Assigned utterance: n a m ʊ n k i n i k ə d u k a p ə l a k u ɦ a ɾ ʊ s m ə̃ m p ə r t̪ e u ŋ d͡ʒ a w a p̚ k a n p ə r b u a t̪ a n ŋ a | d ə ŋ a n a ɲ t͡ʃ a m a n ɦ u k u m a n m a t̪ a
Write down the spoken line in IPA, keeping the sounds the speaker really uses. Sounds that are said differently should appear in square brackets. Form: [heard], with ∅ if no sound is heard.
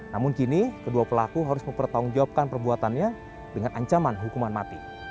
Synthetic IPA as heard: n a m ʊ n k i n i k ə d u [∅] a p ə l a k u ɦ a ɾ ʊ s m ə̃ m p ə r t̪ [a] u ŋ d͡ʒ a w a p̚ k a n p ə r b u a t̪ a n [ɲ] a | d ə ŋ a n a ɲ t͡ʃ a m a n ɦ u k u m a n m a t̪ [i]